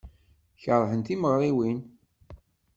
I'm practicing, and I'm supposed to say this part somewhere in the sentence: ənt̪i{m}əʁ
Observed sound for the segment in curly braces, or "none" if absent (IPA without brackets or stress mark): m